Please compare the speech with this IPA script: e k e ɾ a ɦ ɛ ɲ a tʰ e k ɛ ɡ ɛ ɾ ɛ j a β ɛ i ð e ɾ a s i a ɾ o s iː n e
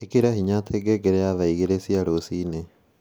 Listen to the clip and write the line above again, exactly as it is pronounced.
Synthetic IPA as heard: e k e ɾ a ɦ i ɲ a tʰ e ɡ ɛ ɡ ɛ ɾ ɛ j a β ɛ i ɣ e ɾ e s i a ɾ o s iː n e